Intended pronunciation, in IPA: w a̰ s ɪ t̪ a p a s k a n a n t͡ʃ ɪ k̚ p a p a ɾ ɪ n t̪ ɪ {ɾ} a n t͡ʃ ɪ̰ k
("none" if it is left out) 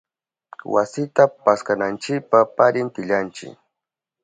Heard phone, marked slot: ʎ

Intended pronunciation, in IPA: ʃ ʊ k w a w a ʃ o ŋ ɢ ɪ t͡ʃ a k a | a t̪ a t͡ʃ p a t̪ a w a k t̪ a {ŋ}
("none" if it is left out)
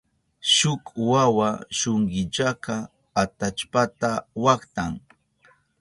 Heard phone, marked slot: ŋ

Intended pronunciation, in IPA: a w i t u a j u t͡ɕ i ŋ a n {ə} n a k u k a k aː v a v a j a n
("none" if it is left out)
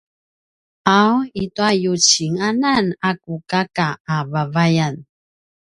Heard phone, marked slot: a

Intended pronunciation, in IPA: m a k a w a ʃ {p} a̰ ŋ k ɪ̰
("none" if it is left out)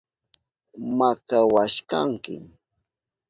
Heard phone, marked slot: k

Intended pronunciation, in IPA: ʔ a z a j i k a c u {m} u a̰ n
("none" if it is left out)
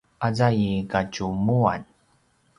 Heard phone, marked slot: m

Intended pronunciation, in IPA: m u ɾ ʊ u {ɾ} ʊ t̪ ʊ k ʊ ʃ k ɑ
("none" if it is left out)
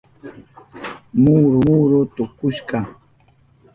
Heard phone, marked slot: ɾ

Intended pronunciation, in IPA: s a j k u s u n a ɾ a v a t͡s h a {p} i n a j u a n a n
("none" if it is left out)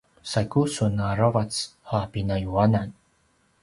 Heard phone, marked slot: p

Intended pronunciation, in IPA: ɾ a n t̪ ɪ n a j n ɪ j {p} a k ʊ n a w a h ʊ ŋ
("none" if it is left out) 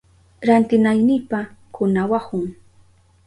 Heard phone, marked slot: p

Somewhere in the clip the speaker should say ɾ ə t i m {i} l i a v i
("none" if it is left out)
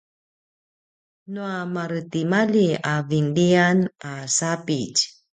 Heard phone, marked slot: a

